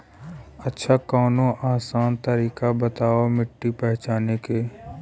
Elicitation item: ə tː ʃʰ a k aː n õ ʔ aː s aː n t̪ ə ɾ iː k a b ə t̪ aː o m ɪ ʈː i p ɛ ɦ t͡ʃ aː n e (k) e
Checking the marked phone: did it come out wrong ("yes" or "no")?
no